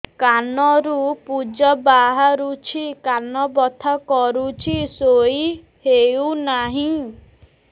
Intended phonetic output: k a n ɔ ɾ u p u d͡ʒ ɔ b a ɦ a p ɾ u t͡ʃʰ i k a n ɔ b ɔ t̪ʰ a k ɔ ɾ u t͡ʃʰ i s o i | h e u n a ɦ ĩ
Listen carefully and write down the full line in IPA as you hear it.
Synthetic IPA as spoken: k a n ɔ ɾ u p u d͡ʒ ɔ b a ɦ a ɾ u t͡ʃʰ i k a n ɔ b ɔ t̪ʰ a k ɔ ɾ u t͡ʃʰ i s o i | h e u n a ɦ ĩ